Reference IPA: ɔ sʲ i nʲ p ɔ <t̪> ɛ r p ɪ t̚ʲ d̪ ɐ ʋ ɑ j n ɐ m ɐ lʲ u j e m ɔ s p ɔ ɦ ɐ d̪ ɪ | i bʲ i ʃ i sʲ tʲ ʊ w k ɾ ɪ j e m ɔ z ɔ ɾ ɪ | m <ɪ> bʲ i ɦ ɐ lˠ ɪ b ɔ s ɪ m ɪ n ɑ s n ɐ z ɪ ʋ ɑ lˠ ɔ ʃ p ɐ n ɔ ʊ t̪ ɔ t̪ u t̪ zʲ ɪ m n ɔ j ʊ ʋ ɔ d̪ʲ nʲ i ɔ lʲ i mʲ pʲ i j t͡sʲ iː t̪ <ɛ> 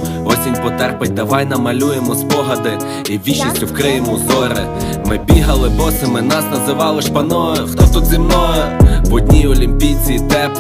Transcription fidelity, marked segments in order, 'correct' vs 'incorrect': correct, correct, correct

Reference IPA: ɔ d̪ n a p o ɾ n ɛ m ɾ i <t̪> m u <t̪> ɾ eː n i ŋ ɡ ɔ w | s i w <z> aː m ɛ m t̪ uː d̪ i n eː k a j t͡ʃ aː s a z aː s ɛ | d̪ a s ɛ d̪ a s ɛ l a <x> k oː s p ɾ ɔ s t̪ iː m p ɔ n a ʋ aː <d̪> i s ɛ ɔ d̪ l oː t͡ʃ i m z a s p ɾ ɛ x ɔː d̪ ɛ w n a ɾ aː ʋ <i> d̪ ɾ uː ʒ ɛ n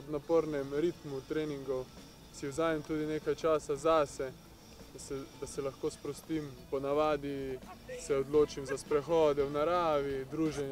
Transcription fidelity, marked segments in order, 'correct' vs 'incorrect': correct, correct, correct, correct, correct, correct

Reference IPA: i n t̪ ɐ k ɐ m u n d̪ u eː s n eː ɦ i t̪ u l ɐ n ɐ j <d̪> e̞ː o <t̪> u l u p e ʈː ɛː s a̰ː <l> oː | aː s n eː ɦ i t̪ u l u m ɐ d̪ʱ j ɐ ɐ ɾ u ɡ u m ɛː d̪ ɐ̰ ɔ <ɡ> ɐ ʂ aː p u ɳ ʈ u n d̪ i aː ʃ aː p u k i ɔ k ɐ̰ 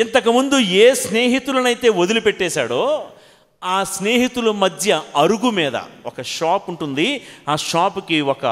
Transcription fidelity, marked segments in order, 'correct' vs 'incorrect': incorrect: t̪, incorrect: d̪, incorrect: ɽ, incorrect: k

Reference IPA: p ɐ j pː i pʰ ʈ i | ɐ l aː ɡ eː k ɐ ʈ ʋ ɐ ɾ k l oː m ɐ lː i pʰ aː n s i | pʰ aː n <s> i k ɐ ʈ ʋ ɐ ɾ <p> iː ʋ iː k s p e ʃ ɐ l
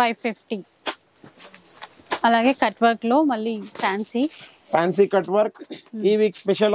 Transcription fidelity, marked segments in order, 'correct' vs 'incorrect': correct, incorrect: k

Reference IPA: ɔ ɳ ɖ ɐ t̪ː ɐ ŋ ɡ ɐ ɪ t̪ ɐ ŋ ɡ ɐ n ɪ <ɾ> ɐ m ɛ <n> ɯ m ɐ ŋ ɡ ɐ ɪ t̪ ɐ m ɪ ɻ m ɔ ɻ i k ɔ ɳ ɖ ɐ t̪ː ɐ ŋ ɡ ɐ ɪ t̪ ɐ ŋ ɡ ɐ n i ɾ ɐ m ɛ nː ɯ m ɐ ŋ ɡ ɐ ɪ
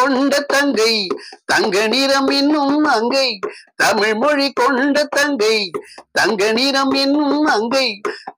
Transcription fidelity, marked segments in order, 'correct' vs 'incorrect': correct, incorrect: nː

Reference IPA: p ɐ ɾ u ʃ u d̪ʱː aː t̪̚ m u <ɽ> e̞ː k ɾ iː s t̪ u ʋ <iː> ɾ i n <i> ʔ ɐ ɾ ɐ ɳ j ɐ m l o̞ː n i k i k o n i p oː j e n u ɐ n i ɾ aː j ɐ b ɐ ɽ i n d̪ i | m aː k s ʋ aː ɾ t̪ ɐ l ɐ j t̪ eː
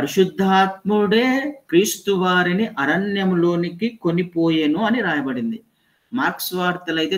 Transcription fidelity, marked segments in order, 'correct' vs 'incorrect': correct, incorrect: aː, correct

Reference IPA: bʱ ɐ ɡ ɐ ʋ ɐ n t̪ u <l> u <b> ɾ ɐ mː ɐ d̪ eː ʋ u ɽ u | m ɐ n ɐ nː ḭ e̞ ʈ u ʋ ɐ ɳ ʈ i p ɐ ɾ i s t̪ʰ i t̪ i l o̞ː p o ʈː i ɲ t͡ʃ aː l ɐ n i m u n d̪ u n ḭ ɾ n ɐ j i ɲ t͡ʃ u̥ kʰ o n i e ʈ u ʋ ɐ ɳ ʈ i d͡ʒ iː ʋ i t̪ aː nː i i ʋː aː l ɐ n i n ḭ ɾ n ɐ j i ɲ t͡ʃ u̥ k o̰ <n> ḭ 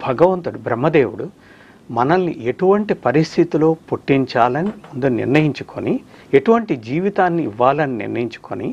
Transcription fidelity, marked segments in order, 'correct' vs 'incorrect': incorrect: ɽ, correct, correct

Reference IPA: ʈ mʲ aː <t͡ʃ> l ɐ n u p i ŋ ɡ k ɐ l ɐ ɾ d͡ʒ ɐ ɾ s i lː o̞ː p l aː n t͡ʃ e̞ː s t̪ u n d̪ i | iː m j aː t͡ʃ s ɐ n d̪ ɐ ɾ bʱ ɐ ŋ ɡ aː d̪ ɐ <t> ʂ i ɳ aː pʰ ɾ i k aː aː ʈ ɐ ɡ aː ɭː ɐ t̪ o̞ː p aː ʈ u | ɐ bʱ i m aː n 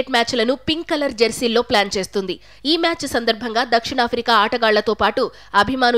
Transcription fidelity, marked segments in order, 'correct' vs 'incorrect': correct, incorrect: k

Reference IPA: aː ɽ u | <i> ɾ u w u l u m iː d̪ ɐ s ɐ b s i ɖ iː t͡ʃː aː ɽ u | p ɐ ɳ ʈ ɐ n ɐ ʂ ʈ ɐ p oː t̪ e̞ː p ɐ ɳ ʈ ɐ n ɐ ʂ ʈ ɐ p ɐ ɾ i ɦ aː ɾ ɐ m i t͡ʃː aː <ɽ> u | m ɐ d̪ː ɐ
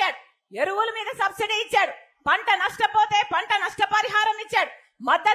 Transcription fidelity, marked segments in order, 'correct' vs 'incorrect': incorrect: e, correct

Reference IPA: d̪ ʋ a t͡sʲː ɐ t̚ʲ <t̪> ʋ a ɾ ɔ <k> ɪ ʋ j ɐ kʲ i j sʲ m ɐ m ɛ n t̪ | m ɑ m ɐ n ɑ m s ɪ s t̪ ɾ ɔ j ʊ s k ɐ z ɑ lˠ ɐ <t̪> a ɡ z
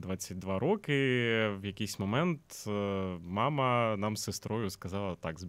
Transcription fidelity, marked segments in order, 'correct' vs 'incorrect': incorrect: d̪, correct, correct

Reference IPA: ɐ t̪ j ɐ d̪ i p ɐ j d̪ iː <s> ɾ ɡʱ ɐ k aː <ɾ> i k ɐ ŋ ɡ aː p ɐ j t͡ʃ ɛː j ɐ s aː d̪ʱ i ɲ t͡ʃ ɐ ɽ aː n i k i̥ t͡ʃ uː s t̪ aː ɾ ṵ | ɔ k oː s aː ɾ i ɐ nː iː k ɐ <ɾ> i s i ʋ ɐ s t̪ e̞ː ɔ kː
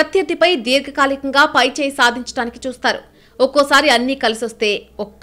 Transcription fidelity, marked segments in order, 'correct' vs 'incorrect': incorrect: none, incorrect: l, incorrect: l

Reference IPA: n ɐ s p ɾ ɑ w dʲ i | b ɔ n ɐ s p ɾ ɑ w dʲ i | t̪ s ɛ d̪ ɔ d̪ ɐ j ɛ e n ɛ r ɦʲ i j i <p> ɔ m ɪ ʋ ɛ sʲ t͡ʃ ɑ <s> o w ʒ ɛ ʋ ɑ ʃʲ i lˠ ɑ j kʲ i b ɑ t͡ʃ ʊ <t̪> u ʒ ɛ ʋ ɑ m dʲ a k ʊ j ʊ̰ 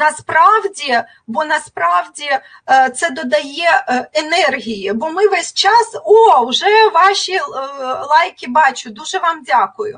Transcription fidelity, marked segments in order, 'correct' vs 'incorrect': incorrect: b, correct, incorrect: d̪

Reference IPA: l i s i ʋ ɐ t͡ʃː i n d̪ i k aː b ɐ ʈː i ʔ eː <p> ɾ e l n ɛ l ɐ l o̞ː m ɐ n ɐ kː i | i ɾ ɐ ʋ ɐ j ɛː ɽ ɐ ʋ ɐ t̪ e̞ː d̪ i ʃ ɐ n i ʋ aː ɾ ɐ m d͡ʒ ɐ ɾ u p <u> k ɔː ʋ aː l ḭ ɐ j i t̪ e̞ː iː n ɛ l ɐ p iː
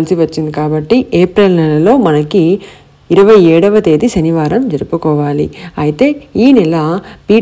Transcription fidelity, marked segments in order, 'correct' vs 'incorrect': correct, correct

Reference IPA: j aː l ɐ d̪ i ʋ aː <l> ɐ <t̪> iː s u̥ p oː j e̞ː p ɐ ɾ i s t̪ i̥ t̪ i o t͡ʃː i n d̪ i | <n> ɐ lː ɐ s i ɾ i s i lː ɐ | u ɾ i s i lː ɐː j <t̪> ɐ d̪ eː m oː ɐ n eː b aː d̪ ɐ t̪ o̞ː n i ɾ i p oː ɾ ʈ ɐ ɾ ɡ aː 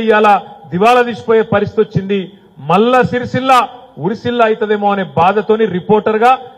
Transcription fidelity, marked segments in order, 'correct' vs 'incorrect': correct, incorrect: d̪, incorrect: m, correct

